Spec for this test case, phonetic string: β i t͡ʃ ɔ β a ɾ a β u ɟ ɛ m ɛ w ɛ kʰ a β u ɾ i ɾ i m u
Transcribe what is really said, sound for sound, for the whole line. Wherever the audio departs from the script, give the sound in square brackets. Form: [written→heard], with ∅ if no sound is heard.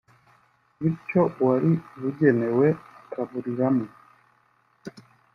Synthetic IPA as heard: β i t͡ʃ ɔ [β→w] a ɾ [a→i] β u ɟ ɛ [m→n] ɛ w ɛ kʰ a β u ɾ i ɾ [i→a] m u

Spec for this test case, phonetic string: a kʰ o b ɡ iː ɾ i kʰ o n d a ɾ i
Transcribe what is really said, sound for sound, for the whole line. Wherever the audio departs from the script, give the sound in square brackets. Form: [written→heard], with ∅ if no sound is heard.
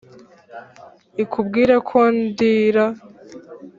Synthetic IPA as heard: [a→i] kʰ [o→u] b ɡ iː ɾ [i→a] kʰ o n d [a→i] ɾ [i→a]

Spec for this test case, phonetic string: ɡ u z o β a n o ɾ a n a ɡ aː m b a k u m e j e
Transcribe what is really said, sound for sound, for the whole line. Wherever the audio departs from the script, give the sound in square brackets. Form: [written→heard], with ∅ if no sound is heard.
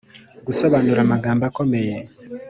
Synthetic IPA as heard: ɡ u [z→s] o β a n [o→u] ɾ a [n→m] a ɡ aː m b a k [u→o] m e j e

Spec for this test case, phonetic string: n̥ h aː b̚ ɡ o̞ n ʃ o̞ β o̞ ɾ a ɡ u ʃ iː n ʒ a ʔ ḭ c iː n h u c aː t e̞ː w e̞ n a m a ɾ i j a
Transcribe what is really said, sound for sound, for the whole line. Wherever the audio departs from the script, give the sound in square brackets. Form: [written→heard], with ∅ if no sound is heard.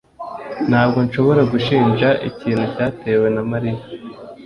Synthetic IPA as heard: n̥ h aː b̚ ɡ o̞ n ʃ o̞ β o̞ ɾ a ɡ u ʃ iː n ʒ a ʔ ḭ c iː n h u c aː t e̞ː w e̞ n a m a ɾ i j a

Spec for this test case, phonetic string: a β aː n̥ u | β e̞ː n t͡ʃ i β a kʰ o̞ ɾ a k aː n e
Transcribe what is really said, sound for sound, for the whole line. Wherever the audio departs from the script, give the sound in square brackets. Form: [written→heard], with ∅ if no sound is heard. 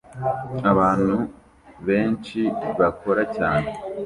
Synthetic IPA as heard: a β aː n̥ u | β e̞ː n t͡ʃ i β a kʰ o̞ ɾ a [k→c] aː n e

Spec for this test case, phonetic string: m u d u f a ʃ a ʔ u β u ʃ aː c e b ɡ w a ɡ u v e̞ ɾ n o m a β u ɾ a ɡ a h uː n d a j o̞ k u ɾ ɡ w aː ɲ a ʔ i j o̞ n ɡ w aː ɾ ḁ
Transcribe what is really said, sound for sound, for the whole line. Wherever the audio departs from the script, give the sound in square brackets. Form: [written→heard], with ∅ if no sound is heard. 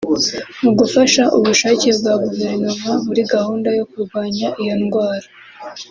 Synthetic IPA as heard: m u [d→ɡ] u f a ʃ a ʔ u β u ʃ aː c e b ɡ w a ɡ u v e̞ ɾ n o m a β u ɾ [a→i] ɡ a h uː n d a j o̞ k u ɾ ɡ w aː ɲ a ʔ i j o̞ n ɡ w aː ɾ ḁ

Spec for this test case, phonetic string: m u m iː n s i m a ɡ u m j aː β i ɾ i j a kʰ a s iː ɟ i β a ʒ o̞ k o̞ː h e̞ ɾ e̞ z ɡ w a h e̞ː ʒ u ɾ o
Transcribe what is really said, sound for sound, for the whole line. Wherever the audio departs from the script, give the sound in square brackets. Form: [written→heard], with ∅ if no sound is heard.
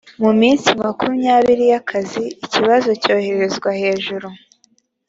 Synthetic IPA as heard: m u m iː n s i m a [ɡ→k] u m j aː β i ɾ i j a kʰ a [s→z] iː [ɟ→c] i β a [ʒ→z] o̞ [k→c] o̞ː h e̞ ɾ e̞ z ɡ w a h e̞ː ʒ u ɾ [o→u]

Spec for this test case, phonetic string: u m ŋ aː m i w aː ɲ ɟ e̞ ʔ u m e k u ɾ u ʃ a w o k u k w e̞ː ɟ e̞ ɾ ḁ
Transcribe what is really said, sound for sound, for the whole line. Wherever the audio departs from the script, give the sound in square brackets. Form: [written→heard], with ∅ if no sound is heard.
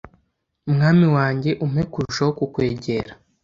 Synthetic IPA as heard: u m ŋ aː m i w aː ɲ ɟ e̞ ʔ u m e k u ɾ u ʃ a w o k u k w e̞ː ɟ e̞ ɾ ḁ

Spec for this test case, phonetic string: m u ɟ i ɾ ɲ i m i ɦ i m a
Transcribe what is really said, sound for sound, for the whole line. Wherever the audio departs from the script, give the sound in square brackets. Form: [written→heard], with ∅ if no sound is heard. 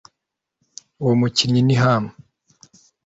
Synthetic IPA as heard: m u [ɟ→c] i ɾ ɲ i [m→n] i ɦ [i→a] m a

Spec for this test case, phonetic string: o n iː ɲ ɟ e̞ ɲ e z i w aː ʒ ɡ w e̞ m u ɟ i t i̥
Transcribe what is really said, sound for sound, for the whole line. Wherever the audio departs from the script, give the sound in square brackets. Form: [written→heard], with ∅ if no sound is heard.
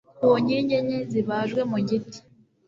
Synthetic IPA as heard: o [n→ɲ] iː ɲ ɟ e̞ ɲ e z i [w→β] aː ʒ ɡ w e̞ m u ɟ i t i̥

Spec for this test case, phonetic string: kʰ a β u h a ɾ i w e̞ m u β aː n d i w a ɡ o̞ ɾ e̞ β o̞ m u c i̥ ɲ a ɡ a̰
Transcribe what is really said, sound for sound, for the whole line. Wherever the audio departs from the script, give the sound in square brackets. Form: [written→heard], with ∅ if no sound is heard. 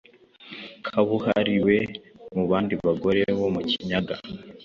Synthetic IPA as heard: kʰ a β u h a ɾ i w e̞ m u β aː n d i [w→β] a ɡ o̞ ɾ e̞ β o̞ m u c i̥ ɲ a ɡ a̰

